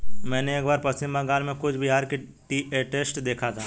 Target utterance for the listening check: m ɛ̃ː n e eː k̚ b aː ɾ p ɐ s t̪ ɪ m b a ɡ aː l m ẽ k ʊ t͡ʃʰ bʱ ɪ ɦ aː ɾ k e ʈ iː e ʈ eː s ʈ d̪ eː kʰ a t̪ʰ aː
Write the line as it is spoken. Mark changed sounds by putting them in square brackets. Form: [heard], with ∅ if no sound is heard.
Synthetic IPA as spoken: m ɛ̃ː n e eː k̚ b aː ɾ p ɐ s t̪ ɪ m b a ɡ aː l m ẽ k ʊ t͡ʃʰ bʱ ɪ ɦ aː ɾ k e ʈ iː e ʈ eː s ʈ d̪ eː kʰ a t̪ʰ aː